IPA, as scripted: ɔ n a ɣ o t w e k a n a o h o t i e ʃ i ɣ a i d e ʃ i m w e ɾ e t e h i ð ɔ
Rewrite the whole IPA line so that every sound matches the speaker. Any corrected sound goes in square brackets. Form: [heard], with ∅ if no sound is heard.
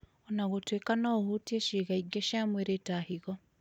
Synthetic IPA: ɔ n a ɣ o t w e k a n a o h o t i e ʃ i ɣ a i [ɡ] e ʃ [a] m w e ɾ e t [a] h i [ɣ] ɔ